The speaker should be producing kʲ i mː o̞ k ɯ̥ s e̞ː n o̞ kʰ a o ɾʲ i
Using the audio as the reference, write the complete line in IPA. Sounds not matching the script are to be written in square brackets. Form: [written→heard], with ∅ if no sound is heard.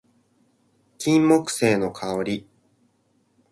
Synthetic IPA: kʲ [i→ĩ] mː o̞ k ɯ̥ s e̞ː n o̞ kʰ a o ɾʲ i